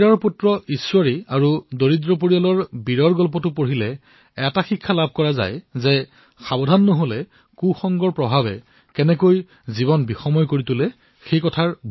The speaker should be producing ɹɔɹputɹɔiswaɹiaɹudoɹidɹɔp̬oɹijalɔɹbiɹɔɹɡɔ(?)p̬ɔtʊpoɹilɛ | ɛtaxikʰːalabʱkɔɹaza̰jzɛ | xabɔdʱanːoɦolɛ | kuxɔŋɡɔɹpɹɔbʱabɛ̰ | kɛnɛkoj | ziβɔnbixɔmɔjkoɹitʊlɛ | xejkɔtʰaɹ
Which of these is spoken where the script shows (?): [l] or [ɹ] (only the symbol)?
l